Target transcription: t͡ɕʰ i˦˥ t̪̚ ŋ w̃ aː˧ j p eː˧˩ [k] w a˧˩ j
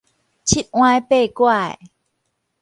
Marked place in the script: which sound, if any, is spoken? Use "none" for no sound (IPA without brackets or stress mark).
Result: k